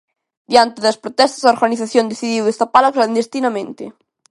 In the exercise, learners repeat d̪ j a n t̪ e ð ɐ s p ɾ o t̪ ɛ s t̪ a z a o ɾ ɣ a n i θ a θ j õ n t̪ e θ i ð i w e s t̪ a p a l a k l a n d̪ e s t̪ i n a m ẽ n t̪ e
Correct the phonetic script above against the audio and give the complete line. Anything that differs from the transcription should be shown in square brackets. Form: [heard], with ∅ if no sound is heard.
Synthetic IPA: d̪ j a n t̪ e ð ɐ s p ɾ o t̪ ɛ s t̪ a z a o ɾ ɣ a n i θ a θ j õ n [d̪] e θ i ð i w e s t̪ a p a l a k l a n d̪ e s t̪ i n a m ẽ n t̪ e